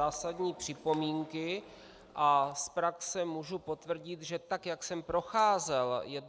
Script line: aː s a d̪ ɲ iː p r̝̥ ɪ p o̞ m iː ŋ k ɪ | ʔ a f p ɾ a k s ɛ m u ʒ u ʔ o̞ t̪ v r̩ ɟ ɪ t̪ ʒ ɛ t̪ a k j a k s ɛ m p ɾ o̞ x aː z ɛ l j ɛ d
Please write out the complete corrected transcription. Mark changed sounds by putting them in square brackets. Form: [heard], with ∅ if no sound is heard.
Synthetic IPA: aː s a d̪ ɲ iː p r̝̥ ɪ p o̞ m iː ŋ k ɪ | ʔ a [s] p ɾ a k s ɛ m u ʒ u [p] o̞ t̪ v r̩ ɟ ɪ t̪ ʒ ɛ t̪ a k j a k s ɛ m p ɾ o̞ x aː z ɛ l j ɛ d

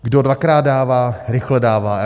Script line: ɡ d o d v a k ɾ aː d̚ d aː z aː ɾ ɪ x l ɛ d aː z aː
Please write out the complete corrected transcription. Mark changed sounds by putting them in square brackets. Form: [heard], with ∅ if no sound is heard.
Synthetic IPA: ɡ d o d v a k ɾ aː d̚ d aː [v] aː ɾ ɪ x l ɛ d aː [v] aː

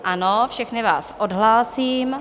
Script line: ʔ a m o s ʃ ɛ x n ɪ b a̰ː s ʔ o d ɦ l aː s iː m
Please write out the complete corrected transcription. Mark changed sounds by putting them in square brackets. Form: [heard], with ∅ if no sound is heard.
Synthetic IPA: ʔ a [n] o [f] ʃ ɛ x n ɪ [v] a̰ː s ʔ o d ɦ l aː s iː m

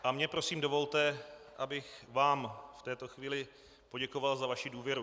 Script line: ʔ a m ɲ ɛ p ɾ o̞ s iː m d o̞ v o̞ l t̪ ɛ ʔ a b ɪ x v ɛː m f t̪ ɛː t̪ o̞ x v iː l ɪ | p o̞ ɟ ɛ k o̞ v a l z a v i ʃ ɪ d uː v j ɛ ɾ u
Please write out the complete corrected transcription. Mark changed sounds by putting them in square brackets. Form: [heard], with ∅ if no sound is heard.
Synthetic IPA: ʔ a m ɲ ɛ p ɾ o̞ s iː m d o̞ v o̞ l t̪ ɛ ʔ a b ɪ x v [aː] m f t̪ ɛː t̪ o̞ x v iː l ɪ | p o̞ ɟ ɛ k o̞ v a l z a v [a] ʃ ɪ d uː v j ɛ ɾ u

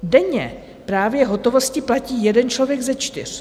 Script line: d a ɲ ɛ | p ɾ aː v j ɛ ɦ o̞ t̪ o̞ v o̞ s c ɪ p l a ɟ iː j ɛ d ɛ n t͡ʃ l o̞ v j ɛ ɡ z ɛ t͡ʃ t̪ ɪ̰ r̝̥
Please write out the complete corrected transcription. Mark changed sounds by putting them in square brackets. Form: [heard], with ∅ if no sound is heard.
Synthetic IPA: d [ɛ] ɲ ɛ | p ɾ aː v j ɛ ɦ o̞ t̪ o̞ v o̞ s c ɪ p l a [c] iː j ɛ d ɛ n t͡ʃ l o̞ v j ɛ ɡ z ɛ t͡ʃ t̪ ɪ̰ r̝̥

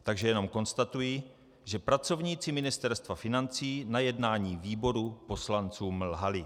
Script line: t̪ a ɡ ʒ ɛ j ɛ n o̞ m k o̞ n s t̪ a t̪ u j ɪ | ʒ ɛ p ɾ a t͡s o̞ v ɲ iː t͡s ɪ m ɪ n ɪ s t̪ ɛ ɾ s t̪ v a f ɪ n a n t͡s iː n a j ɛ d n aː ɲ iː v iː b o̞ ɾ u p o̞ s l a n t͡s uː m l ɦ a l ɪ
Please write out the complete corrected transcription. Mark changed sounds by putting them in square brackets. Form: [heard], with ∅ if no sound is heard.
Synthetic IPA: t̪ a ɡ ʒ ɛ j ɛ n o̞ m k o̞ n s t̪ a t̪ u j [i] | ʒ ɛ p ɾ a t͡s o̞ v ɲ iː t͡s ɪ m ɪ n ɪ s t̪ ɛ ɾ s t̪ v a f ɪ n a n t͡s iː n a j ɛ d n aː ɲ iː v iː b o̞ ɾ u p o̞ s l a n t͡s uː m l ɦ a l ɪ

